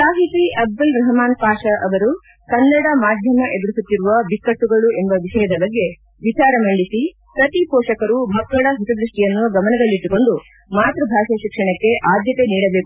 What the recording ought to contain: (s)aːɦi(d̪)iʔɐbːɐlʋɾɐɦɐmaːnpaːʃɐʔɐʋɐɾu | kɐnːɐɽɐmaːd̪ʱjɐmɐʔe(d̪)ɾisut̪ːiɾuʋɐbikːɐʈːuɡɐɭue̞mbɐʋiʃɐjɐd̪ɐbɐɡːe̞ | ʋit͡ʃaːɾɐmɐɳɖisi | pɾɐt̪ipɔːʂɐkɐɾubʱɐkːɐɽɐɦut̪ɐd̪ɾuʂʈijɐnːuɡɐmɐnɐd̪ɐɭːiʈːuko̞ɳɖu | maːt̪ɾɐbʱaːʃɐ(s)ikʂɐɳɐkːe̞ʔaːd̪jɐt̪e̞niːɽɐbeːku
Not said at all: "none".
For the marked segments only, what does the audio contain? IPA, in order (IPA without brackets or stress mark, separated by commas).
s, t̪, d̪, ʃ